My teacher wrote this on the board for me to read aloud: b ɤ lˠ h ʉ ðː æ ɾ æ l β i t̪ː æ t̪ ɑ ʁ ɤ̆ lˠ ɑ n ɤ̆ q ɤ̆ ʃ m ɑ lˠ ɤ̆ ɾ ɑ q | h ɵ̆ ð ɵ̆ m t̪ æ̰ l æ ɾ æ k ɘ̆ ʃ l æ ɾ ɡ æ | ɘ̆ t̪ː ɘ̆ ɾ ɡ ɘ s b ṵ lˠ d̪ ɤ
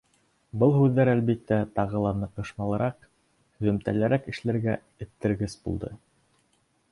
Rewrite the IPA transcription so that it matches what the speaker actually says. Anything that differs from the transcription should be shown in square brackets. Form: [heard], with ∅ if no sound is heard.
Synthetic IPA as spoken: b ɤ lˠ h ʉ ðː æ ɾ æ l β i t̪ː æ t̪ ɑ ʁ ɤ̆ lˠ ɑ n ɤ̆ q ɤ̆ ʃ m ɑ lˠ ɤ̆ ɾ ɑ q | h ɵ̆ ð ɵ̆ m t̪ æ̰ l æ ɾ æ k ɘ̆ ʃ l æ ɾ ɡ æ | ɘ̆ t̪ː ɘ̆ ɾ ɡ ɘ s b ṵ lˠ d̪ ɤ